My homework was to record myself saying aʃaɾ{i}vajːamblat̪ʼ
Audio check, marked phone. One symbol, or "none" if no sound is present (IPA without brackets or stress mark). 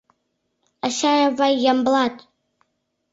a